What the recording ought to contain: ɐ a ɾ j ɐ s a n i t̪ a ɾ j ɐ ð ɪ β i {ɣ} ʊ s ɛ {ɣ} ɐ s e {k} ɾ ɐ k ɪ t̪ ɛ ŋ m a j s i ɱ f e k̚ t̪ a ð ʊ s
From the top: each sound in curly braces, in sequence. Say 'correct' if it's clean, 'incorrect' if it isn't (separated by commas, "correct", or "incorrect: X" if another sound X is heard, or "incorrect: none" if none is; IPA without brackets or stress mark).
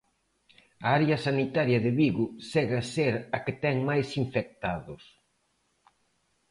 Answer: correct, correct, incorrect: none